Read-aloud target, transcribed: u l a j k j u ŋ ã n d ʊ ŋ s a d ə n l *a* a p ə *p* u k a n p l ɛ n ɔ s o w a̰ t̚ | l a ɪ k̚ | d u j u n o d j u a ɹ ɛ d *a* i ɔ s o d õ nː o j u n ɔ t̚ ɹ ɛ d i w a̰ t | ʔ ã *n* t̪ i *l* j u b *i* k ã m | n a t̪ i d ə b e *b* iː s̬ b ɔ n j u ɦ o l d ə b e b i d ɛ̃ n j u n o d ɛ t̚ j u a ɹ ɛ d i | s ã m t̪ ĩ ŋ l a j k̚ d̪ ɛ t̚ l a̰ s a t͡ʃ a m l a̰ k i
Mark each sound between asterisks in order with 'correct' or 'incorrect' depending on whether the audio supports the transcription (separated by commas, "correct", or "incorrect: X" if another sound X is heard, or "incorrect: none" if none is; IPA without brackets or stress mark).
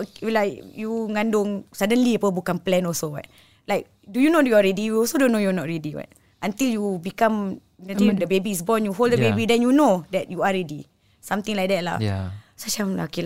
incorrect: i, incorrect: b, incorrect: i, correct, correct, correct, correct